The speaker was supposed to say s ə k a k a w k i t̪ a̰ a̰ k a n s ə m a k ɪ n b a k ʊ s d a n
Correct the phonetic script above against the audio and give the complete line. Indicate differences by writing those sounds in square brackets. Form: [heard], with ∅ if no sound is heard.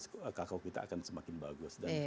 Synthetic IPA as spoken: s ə k a k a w k i t̪ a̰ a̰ k a n s ə m a k ɪ n b a [ɡ] ʊ s d a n